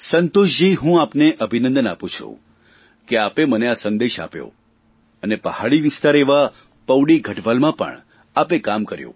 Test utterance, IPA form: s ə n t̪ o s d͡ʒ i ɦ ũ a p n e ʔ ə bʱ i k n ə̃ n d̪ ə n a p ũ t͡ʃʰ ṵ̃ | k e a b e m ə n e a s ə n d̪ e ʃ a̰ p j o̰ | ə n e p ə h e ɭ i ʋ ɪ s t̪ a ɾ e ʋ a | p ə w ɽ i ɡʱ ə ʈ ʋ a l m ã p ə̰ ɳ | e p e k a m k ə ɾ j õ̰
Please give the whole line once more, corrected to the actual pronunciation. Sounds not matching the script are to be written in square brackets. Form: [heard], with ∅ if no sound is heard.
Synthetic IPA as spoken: s ə n t̪ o [ʃ] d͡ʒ i ɦ ũ a p n e ʔ ə bʱ i [∅] n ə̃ n d̪ ə n a p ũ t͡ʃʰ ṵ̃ | k e a [p] e m ə n e a s ə n d̪ e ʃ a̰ p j o̰ | ə n e p ə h [a] ɭ i ʋ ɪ s t̪ a ɾ e ʋ a | p ə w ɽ i ɡʱ ə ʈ ʋ a l m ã p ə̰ ɳ | [a] p e k a m k ə ɾ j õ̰